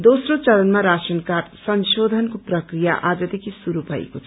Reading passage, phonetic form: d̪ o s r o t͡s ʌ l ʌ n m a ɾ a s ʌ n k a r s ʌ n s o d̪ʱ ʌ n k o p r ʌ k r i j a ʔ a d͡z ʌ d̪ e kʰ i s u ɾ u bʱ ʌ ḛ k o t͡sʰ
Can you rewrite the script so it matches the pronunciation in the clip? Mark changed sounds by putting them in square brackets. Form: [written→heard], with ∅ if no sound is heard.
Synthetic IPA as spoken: d̪ o s r o t͡s ʌ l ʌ n m a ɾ a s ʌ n k a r s ʌ n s o d̪ʱ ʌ n k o p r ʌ k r i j a ʔ a d͡z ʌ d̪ e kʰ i s u ɾ u bʱ ʌ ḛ k o t͡sʰ